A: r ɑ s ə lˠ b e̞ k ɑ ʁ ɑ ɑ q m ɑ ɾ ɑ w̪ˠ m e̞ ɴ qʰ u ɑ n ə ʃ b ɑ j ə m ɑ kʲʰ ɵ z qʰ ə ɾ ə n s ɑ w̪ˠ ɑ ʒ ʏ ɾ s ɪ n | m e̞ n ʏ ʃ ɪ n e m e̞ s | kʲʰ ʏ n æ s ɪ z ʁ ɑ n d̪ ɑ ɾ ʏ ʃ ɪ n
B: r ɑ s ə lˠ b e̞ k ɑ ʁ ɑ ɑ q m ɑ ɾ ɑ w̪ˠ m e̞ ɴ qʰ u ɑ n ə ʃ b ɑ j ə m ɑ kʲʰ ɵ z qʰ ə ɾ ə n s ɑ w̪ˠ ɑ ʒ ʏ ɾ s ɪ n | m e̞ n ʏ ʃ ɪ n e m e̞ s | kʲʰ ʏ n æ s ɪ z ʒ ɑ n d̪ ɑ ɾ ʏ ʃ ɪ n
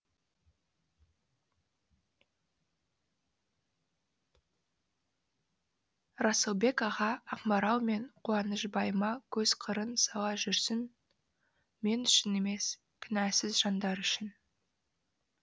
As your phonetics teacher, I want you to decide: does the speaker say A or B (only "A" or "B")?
B